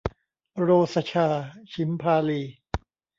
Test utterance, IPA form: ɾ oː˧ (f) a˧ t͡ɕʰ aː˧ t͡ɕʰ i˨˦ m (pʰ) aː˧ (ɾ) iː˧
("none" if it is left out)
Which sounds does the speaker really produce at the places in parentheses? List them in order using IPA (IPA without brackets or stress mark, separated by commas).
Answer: s, pʰ, l